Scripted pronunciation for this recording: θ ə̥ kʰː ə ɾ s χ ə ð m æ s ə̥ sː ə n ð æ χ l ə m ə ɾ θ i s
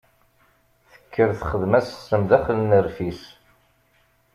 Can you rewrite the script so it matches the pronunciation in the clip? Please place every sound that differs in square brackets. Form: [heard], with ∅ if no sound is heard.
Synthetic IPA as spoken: θ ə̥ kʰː ə ɾ [θ] χ ə ð m æ s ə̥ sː ə [m] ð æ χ l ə [n] ə ɾ [f] i s